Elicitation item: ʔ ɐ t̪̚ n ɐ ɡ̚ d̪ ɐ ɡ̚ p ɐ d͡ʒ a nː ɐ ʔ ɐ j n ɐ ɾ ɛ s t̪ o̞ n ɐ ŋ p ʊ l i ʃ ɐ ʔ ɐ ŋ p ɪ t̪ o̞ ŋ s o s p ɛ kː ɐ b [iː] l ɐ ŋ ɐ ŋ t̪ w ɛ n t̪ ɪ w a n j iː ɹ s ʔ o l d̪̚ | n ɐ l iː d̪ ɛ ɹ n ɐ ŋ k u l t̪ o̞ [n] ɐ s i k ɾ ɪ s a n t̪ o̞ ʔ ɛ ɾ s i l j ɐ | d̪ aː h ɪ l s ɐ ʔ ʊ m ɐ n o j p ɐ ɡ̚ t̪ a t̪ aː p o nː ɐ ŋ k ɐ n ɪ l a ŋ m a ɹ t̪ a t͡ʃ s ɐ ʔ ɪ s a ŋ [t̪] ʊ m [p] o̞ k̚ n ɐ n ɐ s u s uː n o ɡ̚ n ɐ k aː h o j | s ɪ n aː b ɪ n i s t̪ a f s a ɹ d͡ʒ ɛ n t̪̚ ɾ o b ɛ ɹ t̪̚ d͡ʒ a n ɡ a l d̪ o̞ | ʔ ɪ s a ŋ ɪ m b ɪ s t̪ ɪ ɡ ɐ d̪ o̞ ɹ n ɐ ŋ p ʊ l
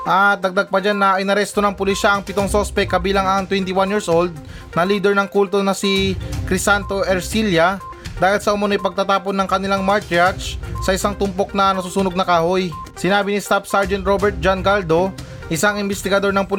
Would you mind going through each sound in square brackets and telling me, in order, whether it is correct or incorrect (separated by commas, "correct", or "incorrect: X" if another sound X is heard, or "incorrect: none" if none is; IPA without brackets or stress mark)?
correct, correct, correct, correct